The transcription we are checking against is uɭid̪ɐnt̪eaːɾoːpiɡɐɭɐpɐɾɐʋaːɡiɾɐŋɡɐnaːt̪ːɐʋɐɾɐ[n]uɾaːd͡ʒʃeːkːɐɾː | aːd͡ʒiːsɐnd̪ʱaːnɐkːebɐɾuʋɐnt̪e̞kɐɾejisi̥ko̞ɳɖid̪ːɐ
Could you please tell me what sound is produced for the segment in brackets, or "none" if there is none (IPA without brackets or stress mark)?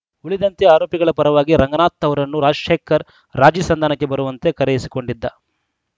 nː